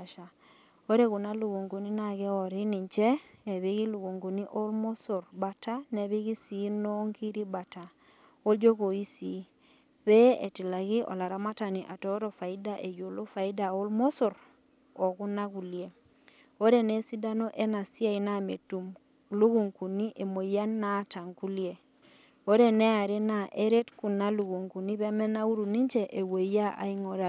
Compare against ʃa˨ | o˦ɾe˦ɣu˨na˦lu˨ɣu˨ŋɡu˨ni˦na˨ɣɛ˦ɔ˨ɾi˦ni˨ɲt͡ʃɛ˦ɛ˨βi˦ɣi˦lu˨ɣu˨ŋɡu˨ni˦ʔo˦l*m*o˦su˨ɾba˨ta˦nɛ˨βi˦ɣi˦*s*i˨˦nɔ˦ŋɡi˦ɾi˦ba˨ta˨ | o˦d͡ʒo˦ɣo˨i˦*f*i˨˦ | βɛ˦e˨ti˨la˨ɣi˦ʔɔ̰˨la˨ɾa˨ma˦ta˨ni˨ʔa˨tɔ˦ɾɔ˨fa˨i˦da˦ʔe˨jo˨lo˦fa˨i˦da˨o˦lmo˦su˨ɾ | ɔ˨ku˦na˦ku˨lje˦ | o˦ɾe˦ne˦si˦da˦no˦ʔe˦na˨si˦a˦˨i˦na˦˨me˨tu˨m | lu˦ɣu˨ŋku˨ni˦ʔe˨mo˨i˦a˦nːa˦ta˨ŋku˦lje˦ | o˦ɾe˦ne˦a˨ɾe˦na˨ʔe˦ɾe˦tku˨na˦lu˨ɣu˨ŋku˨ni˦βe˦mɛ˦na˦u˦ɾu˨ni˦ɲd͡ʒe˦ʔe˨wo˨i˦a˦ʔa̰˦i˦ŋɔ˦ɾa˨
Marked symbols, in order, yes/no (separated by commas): yes, yes, no